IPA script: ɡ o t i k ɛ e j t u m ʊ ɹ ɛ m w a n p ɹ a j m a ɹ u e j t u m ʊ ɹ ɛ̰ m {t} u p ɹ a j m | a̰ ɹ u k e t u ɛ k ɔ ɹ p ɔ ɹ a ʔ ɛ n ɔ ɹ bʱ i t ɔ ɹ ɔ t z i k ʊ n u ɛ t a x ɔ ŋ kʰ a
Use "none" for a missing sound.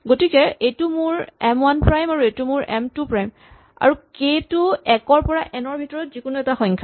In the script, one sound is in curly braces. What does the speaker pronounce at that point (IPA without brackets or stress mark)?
t